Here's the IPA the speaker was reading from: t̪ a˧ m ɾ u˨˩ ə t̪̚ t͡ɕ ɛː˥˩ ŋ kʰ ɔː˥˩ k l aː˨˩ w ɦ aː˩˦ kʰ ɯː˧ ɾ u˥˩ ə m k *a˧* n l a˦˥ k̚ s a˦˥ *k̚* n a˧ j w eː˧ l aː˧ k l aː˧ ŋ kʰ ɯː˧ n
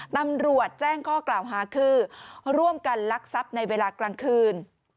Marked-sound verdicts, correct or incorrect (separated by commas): correct, incorrect